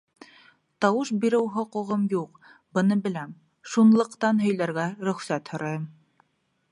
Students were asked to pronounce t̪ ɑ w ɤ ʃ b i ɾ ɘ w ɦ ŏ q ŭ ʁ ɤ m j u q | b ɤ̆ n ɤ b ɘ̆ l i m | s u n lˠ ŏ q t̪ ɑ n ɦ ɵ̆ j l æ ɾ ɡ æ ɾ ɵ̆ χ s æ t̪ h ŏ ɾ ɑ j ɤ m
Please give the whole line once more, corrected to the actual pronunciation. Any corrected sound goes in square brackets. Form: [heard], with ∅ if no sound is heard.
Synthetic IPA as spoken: t̪ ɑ w ɤ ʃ b i ɾ ɘ w ɦ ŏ q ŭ ʁ ɤ m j u q | b ɤ̆ n ɤ b ɘ̆ l [æ] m | [ʃ] u n lˠ [ɤ̆] q t̪ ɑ n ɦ ɵ̆ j l æ ɾ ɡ æ ɾ ɵ̆ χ s æ t̪ h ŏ ɾ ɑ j ɤ m